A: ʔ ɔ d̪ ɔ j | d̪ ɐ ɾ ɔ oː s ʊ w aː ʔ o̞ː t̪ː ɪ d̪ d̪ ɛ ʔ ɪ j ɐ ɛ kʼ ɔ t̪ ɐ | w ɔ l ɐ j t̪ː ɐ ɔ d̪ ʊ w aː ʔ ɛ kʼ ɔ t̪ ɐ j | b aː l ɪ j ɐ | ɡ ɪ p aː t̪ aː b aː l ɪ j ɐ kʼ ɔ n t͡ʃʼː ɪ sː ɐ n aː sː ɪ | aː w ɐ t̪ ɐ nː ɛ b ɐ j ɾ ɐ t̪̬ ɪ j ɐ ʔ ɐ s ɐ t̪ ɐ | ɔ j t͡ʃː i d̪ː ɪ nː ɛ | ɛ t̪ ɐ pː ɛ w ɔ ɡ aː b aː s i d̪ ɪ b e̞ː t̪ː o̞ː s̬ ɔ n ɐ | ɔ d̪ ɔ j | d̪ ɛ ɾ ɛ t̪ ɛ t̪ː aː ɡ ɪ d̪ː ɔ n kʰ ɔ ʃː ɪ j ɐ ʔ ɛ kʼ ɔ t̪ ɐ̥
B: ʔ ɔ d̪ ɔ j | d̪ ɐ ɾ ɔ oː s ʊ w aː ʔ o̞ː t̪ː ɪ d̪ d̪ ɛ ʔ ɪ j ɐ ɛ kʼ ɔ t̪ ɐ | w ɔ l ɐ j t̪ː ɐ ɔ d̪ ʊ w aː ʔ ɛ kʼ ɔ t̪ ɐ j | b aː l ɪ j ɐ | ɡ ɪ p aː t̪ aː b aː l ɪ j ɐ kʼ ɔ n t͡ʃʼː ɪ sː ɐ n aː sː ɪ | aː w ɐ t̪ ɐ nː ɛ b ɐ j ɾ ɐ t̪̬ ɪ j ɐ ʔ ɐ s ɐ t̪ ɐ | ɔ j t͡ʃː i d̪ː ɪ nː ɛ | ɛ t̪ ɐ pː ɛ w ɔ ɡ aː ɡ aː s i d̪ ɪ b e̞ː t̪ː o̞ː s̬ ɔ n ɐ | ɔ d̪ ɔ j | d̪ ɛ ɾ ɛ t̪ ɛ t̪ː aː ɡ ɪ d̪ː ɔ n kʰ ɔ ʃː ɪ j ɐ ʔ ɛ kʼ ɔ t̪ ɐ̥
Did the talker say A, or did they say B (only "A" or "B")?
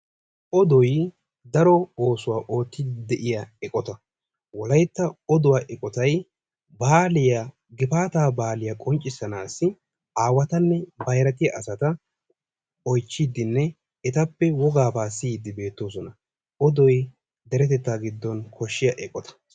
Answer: A